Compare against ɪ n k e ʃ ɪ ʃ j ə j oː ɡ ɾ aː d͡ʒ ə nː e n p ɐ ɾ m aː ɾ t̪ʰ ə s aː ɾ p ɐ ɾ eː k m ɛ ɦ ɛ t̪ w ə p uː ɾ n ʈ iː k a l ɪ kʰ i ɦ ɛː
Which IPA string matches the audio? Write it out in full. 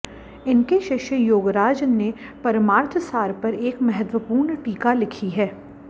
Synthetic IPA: ɪ n k e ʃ ɪ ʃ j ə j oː ɡ ɾ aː d͡ʒ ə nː e p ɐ ɾ m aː ɾ t̪ʰ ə s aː ɾ p ɐ ɾ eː k m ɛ ɦ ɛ t̪ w ə p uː ɾ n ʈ iː k a l ɪ kʰ i ɦ ɛː